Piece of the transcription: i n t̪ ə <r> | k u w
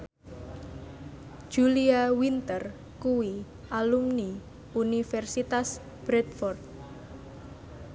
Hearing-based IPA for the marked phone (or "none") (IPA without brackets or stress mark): r